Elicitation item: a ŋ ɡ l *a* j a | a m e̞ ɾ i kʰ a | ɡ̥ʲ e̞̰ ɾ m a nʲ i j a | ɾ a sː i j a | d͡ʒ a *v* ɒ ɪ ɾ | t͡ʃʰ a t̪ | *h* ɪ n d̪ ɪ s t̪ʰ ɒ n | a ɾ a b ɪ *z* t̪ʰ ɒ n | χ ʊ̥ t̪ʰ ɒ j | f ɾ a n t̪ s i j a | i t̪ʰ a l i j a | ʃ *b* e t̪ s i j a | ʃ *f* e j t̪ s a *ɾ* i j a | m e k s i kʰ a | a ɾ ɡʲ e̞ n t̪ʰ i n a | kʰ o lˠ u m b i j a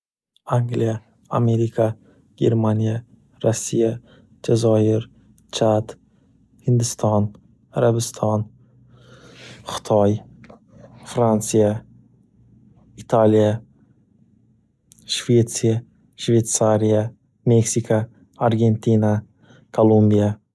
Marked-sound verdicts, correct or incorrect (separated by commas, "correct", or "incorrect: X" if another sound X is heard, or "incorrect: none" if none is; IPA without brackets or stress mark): incorrect: i, incorrect: z, correct, incorrect: s, incorrect: v, incorrect: v, correct